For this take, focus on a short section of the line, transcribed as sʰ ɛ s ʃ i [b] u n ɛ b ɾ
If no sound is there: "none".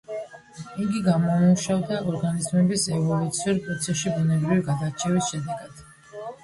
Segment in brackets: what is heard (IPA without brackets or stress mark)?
b